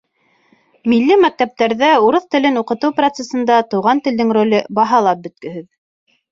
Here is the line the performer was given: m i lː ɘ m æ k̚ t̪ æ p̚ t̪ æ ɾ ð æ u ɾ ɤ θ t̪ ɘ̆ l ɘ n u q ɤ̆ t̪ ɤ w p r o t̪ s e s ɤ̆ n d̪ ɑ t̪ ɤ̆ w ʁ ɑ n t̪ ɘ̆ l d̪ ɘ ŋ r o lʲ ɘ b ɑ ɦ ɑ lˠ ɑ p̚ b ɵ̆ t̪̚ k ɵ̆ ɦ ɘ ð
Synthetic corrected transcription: m i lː ɘ m æ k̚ t̪ æ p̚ t̪ æ ɾ ð æ u ɾ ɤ θ t̪ ɘ̆ l ɘ n u q ɤ̆ t̪ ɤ w p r o t̪ s e s ɤ̆ n d̪ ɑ t̪ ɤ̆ w ʁ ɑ n t̪ ɘ̆ l d̪ ɘ ŋ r o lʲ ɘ b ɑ ɦ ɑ lˠ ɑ p̚ b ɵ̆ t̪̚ k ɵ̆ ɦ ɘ ð